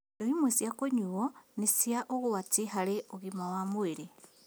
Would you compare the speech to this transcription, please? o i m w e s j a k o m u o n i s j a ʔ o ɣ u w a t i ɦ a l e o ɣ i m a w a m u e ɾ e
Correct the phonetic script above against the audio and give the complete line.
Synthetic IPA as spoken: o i m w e s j a k o ɲ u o n i s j a ʔ o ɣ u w a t i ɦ a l e o ɣ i m a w a m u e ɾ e